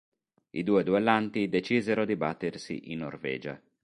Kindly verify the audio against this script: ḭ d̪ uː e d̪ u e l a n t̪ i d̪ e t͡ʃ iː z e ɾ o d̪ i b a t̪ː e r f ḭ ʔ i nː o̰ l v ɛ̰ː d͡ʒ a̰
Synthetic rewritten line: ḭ d̪ uː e d̪ u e l a n t̪ i d̪ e t͡ʃ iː z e ɾ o d̪ i b a t̪ː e r s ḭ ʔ i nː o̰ r v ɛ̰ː d͡ʒ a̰